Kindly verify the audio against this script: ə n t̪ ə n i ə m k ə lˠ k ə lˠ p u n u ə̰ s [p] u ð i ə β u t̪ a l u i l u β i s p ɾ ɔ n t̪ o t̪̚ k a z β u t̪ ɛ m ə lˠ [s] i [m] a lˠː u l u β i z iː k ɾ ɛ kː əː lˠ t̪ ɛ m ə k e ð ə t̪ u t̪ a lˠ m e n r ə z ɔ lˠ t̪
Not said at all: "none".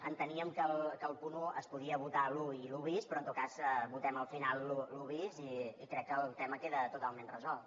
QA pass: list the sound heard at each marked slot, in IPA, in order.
p, f, n

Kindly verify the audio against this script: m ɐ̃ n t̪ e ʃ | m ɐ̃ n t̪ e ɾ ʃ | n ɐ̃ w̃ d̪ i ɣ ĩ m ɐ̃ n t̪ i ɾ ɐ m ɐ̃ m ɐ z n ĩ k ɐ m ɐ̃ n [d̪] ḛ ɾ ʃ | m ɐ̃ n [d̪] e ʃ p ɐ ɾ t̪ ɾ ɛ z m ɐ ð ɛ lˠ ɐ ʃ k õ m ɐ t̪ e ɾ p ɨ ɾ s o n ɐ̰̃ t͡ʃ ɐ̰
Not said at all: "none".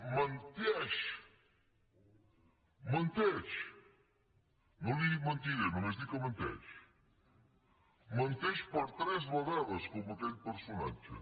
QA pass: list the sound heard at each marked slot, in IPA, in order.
t̪, t̪

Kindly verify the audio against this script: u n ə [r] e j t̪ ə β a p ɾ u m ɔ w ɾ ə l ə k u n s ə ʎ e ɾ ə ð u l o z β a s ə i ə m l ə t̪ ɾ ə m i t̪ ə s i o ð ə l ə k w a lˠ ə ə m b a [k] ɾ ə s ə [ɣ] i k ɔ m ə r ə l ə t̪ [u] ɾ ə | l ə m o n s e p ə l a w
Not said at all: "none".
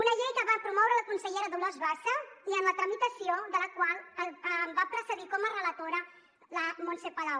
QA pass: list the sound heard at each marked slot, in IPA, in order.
ʎ, p, ð, o

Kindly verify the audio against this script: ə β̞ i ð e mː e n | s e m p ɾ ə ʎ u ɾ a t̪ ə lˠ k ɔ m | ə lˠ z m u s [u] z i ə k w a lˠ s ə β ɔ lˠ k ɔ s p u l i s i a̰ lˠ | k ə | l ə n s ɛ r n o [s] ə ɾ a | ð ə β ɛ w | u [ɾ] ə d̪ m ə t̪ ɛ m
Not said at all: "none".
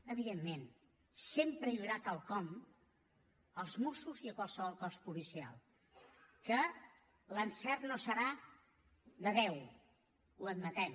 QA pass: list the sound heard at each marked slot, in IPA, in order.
u, s, none

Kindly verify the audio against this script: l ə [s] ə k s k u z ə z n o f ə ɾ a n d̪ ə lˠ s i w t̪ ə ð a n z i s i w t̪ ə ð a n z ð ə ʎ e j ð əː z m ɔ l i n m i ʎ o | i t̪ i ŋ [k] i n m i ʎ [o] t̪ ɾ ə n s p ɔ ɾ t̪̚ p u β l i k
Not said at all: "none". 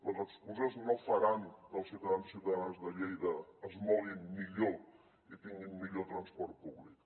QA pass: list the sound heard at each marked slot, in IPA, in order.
z, ɡ, o

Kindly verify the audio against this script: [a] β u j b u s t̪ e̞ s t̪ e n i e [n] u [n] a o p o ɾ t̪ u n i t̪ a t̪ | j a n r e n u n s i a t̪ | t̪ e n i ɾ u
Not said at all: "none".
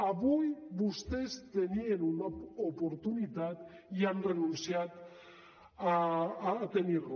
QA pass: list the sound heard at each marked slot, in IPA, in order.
a, n, n

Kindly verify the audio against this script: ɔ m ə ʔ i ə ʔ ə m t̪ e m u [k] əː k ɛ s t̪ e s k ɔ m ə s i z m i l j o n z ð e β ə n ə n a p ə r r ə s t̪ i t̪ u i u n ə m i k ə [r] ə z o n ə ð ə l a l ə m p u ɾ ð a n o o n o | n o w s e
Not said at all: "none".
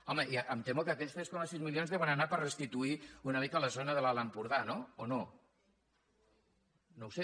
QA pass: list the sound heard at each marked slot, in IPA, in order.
k, l

